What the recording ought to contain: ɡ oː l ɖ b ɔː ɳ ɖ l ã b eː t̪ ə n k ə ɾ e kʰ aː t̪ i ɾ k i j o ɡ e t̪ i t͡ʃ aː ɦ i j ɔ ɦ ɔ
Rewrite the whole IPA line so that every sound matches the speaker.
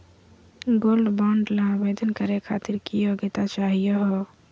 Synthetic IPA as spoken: ɡ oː l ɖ b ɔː ɳ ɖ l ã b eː d̪ ə n k ə ɾ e kʰ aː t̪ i ɾ k i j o ɡ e t̪ a t͡ʃ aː ɦ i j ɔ ɦ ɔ